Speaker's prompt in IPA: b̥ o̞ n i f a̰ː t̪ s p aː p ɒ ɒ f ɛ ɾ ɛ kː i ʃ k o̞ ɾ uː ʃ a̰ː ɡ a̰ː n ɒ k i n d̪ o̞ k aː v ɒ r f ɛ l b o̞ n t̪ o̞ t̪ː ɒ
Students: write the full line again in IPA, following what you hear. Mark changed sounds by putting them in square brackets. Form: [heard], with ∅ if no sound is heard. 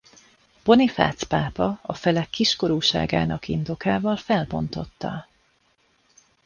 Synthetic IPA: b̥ o̞ n i f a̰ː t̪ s p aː p ɒ ɒ f ɛ [l] ɛ kː i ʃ k o̞ ɾ uː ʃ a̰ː ɡ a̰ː n ɒ k i n d̪ o̞ k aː v ɒ [l] f ɛ l b o̞ n t̪ o̞ t̪ː ɒ